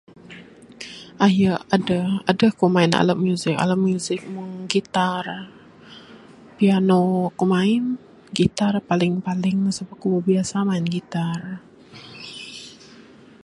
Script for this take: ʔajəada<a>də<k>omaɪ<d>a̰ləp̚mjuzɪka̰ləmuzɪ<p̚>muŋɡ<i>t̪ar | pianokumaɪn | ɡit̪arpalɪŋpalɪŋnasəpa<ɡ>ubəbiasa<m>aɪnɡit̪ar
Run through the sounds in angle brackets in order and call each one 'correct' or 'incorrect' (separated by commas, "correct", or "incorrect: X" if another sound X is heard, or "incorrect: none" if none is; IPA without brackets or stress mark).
correct, correct, incorrect: n, incorrect: k̚, correct, incorrect: k, correct